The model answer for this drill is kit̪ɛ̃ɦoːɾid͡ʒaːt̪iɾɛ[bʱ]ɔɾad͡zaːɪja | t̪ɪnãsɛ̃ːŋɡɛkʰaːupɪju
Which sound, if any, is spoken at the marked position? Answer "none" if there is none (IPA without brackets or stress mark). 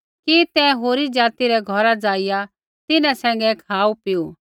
ɡʱ